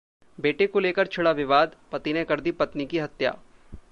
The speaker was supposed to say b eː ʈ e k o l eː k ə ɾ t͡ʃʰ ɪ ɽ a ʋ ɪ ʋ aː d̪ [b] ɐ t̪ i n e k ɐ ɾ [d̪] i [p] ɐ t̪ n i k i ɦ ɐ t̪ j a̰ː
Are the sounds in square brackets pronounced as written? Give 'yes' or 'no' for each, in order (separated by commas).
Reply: no, yes, yes